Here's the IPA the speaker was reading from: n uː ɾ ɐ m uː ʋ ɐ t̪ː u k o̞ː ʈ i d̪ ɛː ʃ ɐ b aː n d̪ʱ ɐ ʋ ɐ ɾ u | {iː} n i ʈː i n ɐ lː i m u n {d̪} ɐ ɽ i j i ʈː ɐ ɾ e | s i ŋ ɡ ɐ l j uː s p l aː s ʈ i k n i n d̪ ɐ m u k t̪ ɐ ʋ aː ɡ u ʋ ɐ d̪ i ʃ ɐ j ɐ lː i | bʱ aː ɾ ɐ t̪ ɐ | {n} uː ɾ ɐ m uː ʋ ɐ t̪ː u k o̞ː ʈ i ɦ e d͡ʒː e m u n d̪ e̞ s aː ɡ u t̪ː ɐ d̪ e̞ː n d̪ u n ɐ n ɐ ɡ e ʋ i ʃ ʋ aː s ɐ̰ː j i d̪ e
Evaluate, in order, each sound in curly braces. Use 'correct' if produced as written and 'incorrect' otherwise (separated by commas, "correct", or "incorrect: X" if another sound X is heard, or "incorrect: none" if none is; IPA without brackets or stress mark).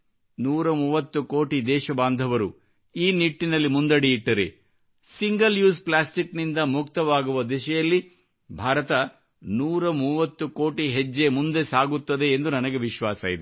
correct, correct, correct